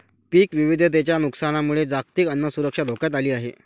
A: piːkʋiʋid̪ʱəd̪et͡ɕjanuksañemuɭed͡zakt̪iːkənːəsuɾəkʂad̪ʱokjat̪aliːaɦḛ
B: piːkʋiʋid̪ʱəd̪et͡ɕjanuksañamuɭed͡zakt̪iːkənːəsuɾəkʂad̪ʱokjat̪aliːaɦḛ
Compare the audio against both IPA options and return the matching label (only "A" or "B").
B